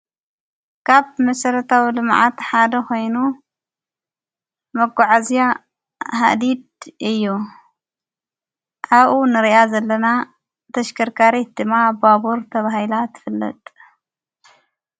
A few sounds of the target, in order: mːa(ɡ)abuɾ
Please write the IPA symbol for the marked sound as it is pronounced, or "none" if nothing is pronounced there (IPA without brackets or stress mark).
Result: b